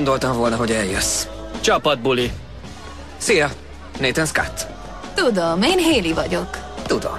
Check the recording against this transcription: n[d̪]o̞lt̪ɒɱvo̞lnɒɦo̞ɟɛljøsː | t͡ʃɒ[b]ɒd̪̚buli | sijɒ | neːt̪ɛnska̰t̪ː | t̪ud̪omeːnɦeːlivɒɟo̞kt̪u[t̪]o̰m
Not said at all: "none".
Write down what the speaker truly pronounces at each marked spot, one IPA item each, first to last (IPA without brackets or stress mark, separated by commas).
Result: d̪, p, d̪